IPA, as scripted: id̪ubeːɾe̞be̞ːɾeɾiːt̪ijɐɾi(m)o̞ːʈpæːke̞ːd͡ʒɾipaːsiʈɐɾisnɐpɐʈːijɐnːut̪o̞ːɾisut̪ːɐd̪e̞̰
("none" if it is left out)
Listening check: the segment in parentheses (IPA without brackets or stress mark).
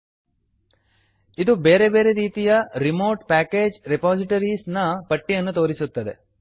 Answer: m